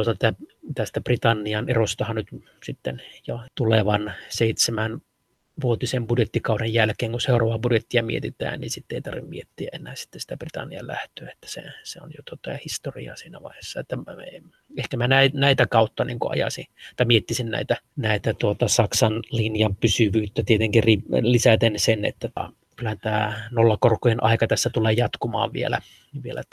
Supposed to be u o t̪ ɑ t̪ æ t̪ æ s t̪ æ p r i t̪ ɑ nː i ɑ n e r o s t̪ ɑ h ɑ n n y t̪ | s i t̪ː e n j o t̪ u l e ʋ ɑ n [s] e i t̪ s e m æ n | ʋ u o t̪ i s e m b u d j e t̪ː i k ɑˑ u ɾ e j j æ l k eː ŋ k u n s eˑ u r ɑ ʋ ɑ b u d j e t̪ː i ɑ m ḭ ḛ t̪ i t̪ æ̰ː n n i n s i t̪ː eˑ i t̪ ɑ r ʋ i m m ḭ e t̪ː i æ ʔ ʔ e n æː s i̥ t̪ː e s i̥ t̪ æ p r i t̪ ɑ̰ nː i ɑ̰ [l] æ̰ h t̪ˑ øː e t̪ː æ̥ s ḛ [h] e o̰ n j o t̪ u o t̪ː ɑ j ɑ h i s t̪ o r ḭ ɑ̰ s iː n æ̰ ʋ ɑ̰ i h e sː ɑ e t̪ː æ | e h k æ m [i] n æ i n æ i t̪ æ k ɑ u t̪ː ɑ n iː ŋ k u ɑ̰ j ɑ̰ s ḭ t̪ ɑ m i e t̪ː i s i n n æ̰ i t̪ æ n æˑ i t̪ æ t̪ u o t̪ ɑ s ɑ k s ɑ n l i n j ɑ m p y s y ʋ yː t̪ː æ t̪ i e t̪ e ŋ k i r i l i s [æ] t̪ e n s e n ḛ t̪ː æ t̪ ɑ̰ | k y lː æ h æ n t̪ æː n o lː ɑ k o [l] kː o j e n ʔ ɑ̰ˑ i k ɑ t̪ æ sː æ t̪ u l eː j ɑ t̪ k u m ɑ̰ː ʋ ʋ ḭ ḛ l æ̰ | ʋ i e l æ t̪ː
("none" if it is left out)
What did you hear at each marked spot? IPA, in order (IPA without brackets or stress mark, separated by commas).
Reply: s, l, s, æ, æ, r